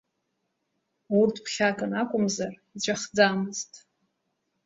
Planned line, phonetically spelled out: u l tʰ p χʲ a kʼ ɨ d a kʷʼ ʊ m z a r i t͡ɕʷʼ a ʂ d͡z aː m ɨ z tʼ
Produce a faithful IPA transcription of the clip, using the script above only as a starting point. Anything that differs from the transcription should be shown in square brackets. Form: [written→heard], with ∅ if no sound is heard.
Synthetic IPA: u [l→r] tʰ p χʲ a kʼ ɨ [d→n] a kʷʼ ʊ m z a r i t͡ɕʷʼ a [ʂ→χ] d͡z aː m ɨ z tʼ